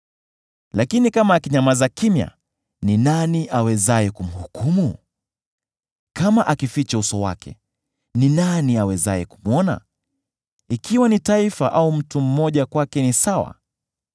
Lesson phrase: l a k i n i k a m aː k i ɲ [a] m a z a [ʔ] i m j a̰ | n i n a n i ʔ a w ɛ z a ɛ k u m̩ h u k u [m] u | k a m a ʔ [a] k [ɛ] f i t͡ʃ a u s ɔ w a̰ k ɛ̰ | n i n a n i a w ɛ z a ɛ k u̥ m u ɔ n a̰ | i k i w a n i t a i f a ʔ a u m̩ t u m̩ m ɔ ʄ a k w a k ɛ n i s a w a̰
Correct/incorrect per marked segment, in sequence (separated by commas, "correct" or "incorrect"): correct, incorrect, correct, correct, incorrect